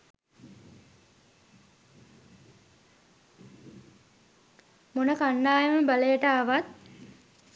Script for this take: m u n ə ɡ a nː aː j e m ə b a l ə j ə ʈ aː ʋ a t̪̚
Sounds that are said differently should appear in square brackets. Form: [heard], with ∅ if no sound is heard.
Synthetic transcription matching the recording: m [o] n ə [k] a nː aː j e m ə b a l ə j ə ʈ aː ʋ a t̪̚